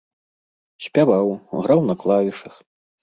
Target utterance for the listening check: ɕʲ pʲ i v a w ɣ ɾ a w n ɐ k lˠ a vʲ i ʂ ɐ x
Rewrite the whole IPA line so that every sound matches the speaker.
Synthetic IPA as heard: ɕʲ pʲ a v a w ɣ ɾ a w n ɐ k lˠ a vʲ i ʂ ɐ x